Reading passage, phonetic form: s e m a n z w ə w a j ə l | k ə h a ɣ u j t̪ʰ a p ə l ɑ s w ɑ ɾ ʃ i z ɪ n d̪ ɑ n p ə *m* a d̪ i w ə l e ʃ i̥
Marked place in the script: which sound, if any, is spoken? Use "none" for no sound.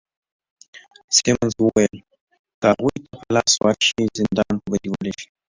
b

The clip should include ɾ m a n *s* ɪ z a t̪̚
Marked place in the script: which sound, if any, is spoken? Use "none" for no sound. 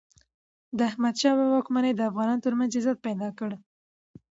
z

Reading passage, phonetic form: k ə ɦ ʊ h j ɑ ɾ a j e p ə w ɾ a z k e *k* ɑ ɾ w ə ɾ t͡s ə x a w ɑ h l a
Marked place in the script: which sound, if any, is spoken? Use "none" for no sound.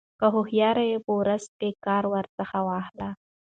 k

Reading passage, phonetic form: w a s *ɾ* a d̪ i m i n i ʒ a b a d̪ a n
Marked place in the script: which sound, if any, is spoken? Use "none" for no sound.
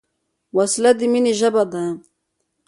l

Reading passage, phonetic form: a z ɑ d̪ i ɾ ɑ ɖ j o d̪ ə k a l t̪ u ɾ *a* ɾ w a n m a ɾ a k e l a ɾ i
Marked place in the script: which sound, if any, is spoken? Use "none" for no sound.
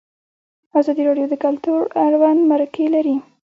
a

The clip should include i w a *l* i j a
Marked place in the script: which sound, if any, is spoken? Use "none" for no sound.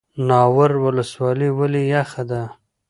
l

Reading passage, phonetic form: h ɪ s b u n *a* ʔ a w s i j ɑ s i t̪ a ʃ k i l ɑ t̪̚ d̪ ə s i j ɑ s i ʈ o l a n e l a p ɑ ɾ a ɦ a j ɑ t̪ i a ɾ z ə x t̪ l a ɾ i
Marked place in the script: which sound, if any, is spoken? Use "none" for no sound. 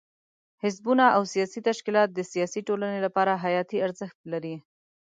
a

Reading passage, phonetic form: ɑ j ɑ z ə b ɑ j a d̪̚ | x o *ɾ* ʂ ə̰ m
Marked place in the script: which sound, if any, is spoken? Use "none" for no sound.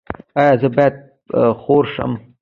ɾ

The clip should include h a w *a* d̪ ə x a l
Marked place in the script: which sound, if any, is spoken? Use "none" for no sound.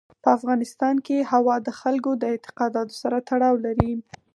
ɑ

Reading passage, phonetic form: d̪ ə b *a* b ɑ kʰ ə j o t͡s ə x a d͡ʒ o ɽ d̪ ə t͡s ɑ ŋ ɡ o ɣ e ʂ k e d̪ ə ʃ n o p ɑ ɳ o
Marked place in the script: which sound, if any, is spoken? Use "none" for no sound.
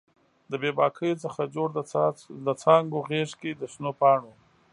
e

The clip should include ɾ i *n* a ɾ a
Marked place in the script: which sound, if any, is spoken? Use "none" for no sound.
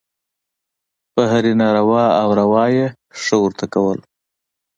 n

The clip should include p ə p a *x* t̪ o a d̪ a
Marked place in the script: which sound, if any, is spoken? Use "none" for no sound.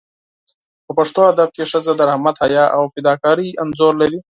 ʂ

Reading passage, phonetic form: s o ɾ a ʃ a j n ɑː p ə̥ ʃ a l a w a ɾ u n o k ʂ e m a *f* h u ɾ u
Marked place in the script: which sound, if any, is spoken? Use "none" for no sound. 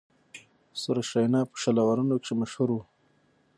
ʃ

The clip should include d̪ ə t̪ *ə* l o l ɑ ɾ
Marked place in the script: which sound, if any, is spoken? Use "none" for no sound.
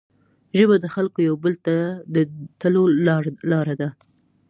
ə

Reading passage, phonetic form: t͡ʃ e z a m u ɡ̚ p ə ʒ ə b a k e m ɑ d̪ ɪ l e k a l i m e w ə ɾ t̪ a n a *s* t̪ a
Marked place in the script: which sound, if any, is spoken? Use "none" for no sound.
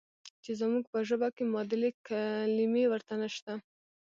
ʃ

